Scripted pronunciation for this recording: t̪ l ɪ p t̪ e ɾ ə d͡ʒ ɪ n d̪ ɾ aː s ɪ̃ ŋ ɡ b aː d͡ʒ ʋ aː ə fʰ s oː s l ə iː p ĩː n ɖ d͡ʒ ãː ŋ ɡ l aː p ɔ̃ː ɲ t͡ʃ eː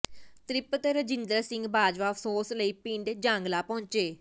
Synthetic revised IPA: t̪ ɾ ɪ p t̪ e ɾ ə d͡ʒ ɪ n d̪ ɾ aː s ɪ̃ ŋ ɡ b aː d͡ʒ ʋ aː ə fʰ s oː s l ə iː p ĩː ɳ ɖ d͡ʒ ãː ŋ ɡ l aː p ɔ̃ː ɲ t͡ʃ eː